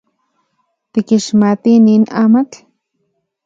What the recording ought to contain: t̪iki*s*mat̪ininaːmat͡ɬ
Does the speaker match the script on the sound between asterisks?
no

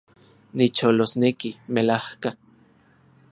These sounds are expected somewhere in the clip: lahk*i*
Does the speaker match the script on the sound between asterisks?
no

